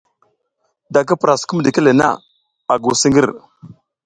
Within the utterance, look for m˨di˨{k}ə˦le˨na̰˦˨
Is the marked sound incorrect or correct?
correct